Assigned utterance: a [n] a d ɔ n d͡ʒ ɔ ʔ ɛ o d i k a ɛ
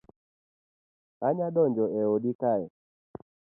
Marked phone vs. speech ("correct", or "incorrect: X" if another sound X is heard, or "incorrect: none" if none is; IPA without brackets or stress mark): incorrect: ɲ